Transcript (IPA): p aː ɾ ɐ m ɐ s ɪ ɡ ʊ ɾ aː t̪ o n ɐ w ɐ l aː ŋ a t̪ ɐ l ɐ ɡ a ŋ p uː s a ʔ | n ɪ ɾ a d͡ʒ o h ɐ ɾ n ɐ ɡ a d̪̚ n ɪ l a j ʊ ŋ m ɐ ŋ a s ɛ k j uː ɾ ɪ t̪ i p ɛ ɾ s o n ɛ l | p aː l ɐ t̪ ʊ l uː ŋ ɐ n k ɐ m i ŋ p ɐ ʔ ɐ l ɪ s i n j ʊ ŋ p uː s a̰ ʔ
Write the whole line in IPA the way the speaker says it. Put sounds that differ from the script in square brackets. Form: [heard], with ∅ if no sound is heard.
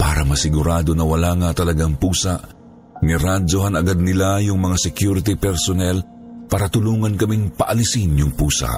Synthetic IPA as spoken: p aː ɾ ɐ m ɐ s ɪ ɡ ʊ ɾ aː [d̪] o n ɐ w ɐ l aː ŋ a t̪ ɐ l ɐ ɡ a ŋ p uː s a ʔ | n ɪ ɾ a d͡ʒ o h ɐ [∅] n ɐ ɡ a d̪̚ n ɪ l a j ʊ ŋ m ɐ ŋ a s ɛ k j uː ɾ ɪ t̪ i p ɛ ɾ s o n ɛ l | p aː [ɾ] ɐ t̪ ʊ l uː ŋ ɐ n k ɐ m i ŋ p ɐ ʔ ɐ l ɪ s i n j ʊ ŋ p uː s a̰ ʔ